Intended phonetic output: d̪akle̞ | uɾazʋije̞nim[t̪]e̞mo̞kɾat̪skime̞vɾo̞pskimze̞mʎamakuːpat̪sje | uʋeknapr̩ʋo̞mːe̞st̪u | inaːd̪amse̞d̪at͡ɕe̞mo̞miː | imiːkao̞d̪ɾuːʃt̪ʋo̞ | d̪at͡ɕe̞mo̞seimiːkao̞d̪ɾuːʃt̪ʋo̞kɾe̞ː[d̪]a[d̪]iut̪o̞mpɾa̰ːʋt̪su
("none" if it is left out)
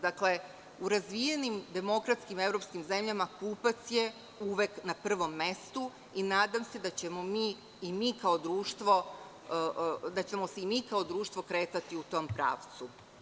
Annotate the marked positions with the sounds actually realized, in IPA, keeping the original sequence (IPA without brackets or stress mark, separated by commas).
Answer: d̪, t̪, t̪